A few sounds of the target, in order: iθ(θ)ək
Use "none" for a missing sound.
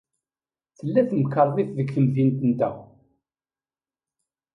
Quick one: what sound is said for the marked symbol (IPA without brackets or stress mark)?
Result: ð